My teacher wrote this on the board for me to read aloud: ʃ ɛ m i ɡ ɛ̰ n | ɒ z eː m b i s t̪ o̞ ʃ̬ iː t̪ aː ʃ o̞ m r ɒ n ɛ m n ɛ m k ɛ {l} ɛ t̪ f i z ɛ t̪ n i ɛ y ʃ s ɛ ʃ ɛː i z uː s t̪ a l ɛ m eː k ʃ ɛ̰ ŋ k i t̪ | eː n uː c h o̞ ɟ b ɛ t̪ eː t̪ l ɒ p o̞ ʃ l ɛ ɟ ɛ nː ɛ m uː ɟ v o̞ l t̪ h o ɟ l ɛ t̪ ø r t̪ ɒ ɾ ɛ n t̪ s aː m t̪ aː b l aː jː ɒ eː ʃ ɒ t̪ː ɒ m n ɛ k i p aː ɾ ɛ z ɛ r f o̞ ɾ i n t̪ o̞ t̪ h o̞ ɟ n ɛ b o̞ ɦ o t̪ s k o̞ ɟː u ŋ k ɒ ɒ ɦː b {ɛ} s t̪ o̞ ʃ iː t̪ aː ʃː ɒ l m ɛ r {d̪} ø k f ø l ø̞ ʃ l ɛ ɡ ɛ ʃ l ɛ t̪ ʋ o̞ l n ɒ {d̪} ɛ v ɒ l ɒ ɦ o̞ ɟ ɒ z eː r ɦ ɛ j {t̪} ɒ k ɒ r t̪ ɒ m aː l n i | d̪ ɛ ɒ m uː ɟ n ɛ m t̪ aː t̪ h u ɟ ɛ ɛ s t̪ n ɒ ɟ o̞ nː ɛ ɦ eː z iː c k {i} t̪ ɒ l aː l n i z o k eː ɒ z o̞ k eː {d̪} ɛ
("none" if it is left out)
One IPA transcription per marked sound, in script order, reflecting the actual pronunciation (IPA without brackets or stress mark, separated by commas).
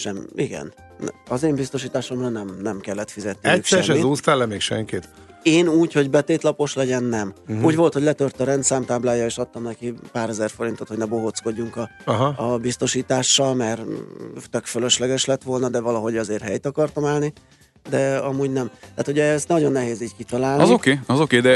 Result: lː, i, t̪, d̪, t̪, i, d̪